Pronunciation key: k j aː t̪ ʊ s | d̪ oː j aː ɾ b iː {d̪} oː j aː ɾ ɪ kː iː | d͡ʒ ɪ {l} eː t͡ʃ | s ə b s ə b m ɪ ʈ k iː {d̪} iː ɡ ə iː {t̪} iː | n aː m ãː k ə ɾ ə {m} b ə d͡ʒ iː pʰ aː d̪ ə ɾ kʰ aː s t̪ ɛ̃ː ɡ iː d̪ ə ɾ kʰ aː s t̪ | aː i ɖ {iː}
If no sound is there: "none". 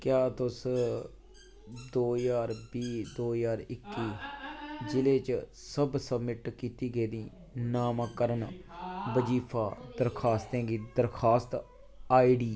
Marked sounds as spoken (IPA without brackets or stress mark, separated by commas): d̪, l, t̪, d̪, n, iː